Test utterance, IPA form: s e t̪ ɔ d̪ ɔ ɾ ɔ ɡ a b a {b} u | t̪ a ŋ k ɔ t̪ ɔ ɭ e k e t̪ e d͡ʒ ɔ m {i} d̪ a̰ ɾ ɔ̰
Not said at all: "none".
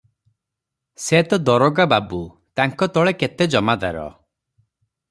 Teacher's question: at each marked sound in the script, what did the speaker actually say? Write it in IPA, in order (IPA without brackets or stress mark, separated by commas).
b, a